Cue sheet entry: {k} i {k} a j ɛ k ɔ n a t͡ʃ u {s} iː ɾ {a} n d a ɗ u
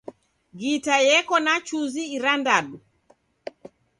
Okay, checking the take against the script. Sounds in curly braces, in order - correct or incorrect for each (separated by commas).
incorrect, incorrect, incorrect, correct